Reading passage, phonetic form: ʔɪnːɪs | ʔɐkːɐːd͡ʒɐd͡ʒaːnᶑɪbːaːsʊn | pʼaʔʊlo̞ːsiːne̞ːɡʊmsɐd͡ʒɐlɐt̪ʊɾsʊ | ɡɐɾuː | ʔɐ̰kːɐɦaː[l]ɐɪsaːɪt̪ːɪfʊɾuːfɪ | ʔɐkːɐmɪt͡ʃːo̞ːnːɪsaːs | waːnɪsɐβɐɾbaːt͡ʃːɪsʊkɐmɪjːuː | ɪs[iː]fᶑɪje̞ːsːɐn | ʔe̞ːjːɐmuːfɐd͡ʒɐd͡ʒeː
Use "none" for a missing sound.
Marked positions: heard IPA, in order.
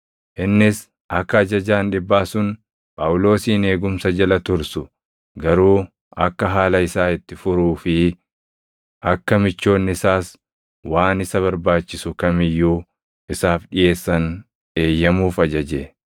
l, aː

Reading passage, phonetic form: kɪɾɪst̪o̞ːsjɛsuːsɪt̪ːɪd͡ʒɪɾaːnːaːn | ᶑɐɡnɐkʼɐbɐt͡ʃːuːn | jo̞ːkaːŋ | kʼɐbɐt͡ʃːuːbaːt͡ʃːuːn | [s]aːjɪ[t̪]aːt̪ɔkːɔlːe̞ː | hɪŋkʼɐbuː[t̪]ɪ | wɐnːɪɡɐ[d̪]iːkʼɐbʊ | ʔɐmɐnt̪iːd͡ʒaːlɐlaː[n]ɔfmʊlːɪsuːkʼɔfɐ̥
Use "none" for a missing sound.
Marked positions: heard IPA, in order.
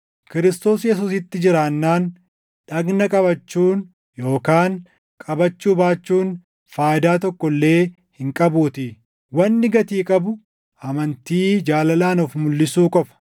f, d̪, t̪, t̪, n

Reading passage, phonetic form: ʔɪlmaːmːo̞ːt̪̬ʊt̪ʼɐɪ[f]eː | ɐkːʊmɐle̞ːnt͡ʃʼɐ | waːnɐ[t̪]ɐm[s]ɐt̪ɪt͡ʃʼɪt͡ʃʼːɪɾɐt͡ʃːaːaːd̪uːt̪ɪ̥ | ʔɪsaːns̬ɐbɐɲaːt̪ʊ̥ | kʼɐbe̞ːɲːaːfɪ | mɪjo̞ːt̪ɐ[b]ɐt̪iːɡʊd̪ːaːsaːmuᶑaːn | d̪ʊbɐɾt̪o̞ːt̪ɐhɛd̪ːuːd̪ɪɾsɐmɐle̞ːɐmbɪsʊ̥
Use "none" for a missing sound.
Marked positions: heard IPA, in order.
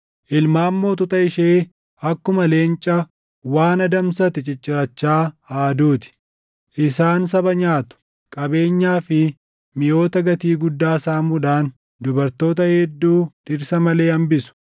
ʃ, d̪, s, ɡ

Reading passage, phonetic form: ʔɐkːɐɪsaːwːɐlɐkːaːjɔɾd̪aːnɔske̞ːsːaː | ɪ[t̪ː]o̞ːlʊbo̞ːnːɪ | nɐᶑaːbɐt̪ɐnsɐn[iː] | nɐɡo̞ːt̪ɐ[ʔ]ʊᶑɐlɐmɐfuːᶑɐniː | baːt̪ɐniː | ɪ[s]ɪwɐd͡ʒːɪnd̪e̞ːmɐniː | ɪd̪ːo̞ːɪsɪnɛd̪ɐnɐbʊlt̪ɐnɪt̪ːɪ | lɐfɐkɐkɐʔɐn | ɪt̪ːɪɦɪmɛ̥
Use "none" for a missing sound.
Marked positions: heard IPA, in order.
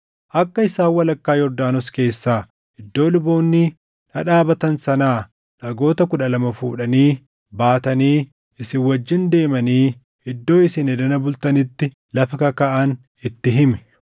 d̪ː, aː, k, s

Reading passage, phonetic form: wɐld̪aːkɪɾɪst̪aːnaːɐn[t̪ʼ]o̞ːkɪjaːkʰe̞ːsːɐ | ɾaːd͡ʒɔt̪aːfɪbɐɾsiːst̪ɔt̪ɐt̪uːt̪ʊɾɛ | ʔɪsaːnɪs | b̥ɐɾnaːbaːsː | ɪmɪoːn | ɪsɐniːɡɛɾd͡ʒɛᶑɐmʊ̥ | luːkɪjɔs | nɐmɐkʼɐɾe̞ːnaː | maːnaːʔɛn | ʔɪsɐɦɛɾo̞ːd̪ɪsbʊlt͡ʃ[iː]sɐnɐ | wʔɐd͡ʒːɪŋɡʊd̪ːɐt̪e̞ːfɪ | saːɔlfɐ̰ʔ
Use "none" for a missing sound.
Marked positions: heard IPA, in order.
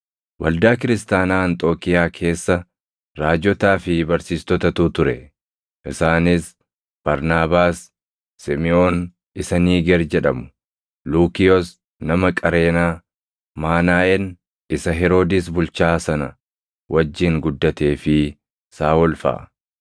t̪ʼ, aː

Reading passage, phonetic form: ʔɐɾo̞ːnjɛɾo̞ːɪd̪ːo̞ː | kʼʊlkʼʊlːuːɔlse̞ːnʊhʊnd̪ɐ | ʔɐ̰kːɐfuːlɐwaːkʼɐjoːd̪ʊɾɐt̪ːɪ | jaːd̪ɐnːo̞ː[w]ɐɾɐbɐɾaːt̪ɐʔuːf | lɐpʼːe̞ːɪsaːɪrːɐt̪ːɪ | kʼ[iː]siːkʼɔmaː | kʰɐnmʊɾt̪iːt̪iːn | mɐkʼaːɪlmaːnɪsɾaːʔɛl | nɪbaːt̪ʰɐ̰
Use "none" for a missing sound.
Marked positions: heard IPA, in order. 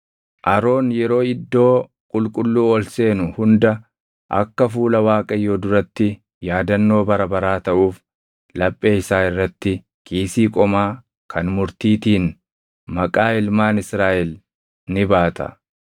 b, iː

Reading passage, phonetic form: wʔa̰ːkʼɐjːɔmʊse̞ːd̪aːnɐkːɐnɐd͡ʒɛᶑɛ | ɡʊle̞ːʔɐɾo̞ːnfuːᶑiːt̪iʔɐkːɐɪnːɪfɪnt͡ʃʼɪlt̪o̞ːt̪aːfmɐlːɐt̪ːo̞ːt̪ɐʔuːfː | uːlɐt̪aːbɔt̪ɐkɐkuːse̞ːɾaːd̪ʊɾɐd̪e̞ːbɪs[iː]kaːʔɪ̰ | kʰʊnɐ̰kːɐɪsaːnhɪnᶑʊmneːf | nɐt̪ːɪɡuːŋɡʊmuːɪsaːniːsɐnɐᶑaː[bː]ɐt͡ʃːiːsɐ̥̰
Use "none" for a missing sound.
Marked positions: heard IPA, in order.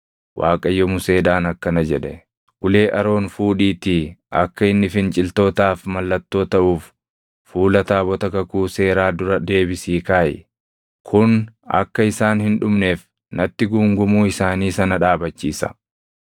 iː, b

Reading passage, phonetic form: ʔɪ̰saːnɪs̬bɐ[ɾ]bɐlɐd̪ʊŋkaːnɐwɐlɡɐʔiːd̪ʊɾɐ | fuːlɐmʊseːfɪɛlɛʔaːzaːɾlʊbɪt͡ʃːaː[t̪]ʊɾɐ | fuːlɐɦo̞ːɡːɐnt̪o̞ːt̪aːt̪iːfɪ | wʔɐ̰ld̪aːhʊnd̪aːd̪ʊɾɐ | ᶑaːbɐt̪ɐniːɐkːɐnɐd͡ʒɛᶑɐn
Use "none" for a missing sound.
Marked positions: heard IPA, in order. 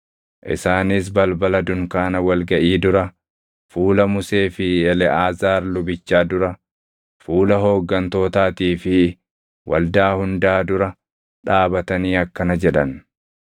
l, d̪

